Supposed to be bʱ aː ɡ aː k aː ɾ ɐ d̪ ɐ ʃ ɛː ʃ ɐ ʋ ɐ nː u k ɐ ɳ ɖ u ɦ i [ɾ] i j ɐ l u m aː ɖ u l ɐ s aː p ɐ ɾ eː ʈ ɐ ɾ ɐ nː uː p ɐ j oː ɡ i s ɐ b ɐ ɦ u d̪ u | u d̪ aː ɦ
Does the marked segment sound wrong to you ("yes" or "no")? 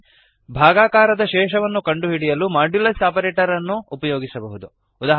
yes